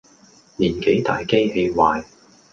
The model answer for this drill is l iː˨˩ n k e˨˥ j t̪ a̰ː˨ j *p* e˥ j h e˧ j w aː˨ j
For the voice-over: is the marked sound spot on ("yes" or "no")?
no